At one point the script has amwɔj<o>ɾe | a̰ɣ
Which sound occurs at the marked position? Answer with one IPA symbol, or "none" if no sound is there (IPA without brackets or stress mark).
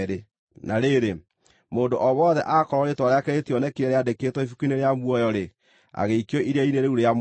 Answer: ɔ